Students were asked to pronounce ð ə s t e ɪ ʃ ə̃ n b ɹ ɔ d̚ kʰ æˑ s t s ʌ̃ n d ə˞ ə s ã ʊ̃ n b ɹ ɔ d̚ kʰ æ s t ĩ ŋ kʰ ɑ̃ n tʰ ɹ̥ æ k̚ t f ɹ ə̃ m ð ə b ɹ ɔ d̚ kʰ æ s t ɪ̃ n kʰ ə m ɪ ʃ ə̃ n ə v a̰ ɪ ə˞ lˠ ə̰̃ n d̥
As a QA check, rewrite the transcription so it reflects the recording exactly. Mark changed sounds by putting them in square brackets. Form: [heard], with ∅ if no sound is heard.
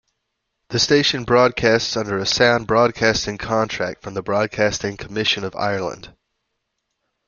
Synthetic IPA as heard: ð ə s t e ɪ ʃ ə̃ n b ɹ ɔ d̚ kʰ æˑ s t s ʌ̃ n d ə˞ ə s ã ʊ̃ n b ɹ ɔ d̚ kʰ æ s t [ɪ̃] ŋ kʰ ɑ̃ n tʰ ɹ̥ æ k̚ t f ɹ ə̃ m ð ə b ɹ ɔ d̚ kʰ æ s t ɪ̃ [ŋ] kʰ ə m ɪ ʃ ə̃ n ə v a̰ ɪ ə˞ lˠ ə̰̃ n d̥